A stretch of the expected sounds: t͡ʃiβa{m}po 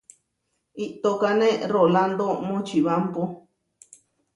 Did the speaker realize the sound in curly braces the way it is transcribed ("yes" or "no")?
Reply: yes